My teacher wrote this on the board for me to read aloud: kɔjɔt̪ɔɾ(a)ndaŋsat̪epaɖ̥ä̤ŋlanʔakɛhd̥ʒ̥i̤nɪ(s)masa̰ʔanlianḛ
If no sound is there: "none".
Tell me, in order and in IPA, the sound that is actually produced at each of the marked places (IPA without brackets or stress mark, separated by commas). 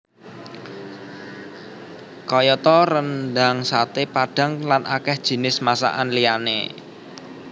ə, s